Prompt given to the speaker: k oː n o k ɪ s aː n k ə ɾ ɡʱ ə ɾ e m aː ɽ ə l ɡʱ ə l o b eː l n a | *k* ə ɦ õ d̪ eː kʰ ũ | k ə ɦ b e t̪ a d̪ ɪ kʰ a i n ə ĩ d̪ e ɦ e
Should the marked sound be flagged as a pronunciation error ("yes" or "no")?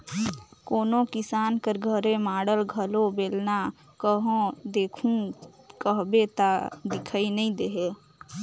no